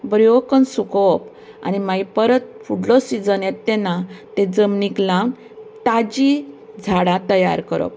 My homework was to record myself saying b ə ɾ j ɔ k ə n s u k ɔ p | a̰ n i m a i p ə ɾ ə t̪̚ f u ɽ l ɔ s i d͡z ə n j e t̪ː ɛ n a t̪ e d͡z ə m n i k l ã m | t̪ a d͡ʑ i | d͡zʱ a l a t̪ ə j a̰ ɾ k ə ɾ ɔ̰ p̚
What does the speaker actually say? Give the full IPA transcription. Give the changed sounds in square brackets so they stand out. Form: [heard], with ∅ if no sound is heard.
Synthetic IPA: b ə ɾ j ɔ k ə n s u k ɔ p | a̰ n i m a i p ə ɾ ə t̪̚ f u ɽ l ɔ s i d͡z ə n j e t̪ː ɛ n a t̪ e d͡z ə m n i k l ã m | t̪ a d͡ʑ i | d͡zʱ a [ɽ] a t̪ ə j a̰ ɾ k ə ɾ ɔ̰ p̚